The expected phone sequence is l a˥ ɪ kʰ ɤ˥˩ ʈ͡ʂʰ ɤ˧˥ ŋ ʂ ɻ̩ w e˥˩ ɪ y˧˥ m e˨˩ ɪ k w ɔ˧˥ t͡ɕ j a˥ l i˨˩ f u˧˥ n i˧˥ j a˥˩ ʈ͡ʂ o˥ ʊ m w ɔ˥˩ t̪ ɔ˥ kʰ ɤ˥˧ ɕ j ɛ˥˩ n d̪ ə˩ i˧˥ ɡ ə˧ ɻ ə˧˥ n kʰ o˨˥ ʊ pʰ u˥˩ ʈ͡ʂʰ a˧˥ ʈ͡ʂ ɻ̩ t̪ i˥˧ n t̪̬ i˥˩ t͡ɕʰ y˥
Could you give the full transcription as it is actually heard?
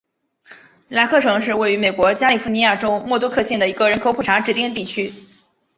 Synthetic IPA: l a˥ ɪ kʰ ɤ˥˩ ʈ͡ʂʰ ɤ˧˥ ŋ ʂ ɻ̩ w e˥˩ ɪ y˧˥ m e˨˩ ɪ k w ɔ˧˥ t͡ɕ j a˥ l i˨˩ f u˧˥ n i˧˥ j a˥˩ ʈ͡ʂ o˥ ʊ m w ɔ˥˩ t̪ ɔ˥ kʰ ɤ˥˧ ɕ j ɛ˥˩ n d̪ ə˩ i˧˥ ɡ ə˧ ɻ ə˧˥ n kʰ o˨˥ ʊ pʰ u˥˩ ʈ͡ʂʰ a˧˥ ʈ͡ʂ ɻ̩ t̪ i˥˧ n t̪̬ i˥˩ t͡ɕʰ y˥